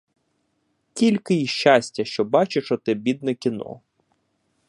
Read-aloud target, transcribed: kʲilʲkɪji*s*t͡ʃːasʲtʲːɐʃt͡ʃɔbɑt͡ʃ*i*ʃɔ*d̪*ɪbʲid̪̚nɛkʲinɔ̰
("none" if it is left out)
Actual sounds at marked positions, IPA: ʃ, ɪ, t̪

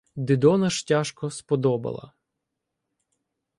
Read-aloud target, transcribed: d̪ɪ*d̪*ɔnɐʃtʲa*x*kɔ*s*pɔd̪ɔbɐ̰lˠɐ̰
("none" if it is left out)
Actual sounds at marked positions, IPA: d̪, ʃ, s

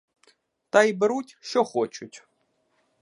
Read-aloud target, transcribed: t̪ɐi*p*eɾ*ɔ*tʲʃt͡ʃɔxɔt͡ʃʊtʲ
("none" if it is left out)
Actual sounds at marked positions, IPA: b, u

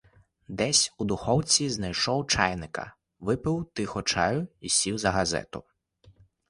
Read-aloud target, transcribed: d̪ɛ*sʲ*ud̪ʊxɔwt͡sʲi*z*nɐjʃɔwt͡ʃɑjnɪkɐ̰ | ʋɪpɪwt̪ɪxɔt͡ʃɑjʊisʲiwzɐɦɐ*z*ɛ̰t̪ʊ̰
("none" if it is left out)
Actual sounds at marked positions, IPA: sʲ, z, z

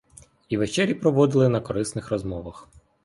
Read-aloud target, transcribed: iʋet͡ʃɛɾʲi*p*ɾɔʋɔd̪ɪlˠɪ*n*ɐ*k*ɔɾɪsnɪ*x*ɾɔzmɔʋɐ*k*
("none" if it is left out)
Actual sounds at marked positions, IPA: p, n, k, x, x

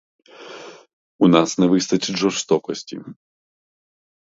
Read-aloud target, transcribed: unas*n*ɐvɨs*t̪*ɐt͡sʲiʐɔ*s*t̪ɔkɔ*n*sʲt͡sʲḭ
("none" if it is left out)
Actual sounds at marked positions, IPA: n, t̪, s, none

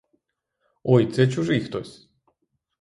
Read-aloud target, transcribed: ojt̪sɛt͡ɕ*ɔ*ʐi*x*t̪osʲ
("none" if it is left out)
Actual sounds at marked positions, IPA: u, x

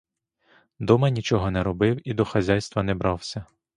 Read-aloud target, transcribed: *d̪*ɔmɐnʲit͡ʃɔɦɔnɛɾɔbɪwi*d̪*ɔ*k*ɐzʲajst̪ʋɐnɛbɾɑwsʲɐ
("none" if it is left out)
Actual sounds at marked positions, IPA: d̪, d̪, x

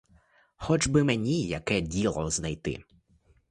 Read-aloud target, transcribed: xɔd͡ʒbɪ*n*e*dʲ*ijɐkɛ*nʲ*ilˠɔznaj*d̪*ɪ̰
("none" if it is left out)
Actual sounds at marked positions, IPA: m, nʲ, dʲ, t̪

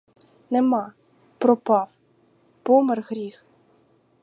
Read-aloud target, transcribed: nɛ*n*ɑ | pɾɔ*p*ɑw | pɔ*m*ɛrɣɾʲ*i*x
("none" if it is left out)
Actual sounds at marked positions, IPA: m, p, m, i

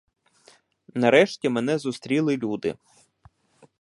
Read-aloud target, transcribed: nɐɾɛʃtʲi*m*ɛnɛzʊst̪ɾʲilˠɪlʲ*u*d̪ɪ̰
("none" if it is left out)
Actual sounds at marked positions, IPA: m, u

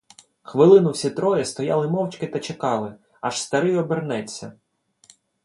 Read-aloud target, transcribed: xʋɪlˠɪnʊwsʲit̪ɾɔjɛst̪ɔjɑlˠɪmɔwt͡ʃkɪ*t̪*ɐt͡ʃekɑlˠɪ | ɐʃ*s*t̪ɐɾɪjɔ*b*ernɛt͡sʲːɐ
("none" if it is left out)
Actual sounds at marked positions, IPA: t̪, s, b

